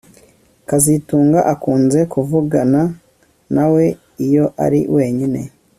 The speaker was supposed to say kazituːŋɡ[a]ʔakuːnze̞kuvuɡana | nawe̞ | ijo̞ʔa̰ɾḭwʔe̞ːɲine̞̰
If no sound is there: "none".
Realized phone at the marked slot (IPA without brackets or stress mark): a